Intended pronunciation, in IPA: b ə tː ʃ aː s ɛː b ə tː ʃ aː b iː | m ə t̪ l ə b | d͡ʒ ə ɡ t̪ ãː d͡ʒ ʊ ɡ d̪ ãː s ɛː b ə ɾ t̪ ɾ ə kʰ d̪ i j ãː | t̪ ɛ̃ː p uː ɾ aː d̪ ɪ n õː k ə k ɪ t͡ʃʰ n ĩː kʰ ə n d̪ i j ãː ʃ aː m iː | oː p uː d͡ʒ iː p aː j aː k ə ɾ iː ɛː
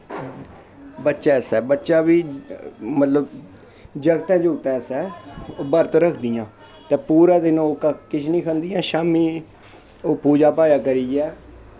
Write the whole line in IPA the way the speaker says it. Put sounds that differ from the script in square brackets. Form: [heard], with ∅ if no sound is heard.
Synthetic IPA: b ə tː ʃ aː s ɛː b ə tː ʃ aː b iː | m ə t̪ l ə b | d͡ʒ ə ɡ t̪ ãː d͡ʒ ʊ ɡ [t̪] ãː s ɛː b ə ɾ t̪ ɾ ə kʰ d̪ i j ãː | t̪ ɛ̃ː p uː ɾ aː d̪ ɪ n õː k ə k ɪ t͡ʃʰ n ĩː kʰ ə n d̪ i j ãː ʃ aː m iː | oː p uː d͡ʒ [aː] p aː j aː k ə ɾ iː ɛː